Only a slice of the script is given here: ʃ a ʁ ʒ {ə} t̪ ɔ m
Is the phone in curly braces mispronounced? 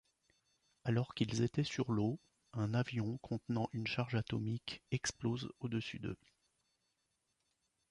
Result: yes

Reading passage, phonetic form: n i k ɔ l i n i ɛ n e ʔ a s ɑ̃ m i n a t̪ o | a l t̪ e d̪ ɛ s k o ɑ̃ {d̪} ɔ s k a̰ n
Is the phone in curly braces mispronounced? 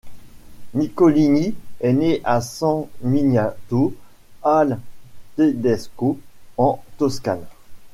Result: yes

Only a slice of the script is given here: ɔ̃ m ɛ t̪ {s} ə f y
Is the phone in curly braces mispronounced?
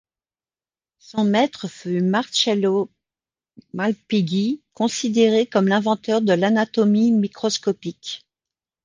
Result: yes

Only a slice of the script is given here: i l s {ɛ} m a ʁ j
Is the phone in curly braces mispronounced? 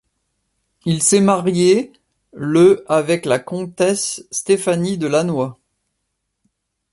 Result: no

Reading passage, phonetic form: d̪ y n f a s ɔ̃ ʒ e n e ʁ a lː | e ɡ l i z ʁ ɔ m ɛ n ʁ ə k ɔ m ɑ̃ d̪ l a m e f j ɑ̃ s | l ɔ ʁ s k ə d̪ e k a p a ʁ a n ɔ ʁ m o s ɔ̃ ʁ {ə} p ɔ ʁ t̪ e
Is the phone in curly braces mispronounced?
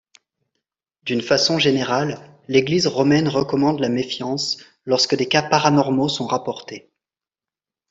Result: yes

